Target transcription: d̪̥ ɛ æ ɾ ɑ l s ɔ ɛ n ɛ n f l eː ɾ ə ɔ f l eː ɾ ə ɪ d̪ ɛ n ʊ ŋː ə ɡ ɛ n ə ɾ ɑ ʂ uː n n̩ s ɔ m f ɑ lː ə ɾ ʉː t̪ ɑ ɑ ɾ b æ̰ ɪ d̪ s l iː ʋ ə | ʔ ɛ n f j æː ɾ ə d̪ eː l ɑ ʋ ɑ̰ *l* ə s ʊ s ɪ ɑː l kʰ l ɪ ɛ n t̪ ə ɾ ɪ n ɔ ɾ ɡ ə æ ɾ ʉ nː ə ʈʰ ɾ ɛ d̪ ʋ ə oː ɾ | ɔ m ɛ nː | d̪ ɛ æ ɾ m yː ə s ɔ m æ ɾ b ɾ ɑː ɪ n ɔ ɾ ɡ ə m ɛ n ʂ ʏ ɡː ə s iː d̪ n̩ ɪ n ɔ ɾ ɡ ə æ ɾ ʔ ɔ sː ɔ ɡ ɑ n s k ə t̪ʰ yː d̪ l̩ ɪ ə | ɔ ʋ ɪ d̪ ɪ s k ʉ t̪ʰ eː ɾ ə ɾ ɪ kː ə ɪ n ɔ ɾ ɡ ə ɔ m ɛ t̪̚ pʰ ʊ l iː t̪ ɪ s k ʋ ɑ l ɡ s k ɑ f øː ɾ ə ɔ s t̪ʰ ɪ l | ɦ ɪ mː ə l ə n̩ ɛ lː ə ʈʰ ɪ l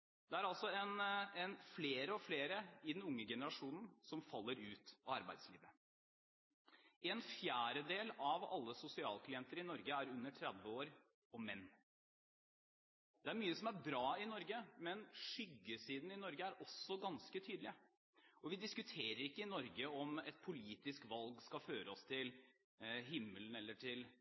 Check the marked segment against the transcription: incorrect: lː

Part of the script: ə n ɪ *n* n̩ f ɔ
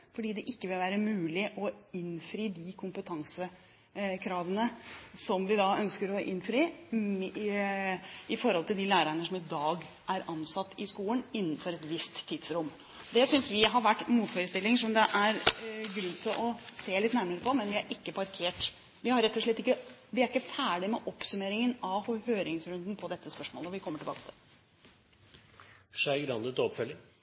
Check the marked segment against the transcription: incorrect: nː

